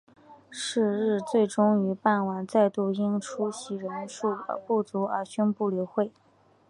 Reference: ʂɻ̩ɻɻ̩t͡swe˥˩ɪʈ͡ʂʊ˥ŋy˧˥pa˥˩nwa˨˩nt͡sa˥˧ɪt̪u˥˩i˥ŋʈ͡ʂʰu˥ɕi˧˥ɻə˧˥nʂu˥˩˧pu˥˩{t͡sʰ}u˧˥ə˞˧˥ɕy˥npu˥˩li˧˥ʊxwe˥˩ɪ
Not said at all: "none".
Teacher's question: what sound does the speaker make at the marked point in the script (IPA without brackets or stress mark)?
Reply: t͡s